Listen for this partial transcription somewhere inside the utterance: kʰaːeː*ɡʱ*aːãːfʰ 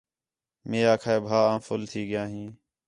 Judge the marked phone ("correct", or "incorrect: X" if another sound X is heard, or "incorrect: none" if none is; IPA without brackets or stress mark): incorrect: bʱ